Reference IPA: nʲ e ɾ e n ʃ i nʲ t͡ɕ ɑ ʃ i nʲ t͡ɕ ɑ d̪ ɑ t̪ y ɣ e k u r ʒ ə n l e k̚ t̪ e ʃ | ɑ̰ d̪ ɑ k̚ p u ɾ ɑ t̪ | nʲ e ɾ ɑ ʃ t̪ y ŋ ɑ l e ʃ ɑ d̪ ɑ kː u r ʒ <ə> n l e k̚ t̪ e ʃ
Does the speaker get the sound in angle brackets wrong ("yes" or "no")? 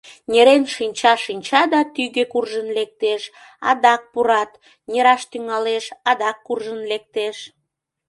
no